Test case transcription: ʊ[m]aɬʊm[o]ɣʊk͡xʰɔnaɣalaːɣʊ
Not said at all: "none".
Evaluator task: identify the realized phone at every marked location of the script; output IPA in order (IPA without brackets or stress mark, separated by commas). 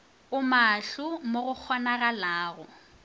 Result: m, o